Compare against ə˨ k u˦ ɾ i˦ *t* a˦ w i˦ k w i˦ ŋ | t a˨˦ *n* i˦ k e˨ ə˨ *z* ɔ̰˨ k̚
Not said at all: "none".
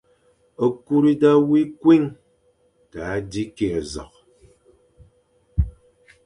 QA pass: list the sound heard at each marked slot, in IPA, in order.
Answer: d, d, z

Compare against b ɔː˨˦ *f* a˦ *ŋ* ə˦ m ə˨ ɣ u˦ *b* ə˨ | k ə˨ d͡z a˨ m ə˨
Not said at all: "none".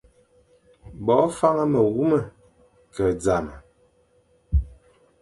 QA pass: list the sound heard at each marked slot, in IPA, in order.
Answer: f, ŋ, m

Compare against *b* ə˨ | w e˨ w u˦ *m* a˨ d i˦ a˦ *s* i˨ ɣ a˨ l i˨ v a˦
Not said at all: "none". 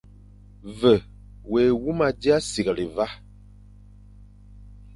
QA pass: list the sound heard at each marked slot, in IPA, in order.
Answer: v, m, s

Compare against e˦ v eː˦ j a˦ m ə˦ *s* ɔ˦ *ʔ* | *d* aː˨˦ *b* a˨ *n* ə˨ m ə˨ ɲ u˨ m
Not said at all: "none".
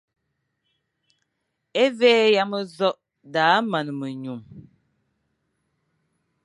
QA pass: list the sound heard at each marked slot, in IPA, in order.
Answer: z, ʔ, d, m, n

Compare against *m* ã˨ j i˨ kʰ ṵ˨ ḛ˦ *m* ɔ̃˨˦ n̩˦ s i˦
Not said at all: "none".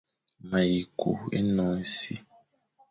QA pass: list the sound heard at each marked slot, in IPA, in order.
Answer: m, n

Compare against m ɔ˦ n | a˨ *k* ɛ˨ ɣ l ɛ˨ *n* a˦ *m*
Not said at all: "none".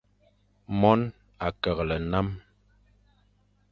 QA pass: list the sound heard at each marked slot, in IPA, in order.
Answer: k, n, m

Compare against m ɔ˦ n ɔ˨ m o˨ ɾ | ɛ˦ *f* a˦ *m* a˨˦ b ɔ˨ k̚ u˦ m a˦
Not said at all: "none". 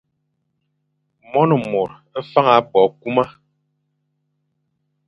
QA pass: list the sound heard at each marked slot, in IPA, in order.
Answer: f, ŋ

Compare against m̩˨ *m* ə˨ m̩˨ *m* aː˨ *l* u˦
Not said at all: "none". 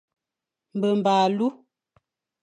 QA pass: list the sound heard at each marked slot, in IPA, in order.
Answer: b, b, l

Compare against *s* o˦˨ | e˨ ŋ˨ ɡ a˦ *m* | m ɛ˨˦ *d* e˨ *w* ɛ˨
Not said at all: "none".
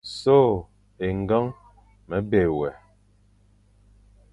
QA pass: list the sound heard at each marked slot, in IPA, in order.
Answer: s, ŋ, b, w

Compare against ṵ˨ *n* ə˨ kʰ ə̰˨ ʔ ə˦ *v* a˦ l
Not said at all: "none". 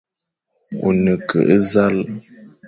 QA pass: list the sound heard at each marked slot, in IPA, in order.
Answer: n, z

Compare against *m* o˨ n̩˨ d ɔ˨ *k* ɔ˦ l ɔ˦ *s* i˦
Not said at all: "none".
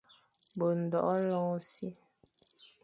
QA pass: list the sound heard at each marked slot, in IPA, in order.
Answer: b, ʔ, s

